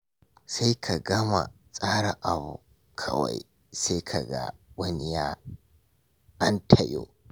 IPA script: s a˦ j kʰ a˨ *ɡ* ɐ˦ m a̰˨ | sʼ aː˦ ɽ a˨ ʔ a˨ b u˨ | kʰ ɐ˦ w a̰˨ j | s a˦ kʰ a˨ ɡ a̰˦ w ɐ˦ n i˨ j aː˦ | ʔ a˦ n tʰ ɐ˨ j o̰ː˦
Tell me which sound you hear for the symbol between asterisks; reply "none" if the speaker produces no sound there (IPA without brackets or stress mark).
ɡ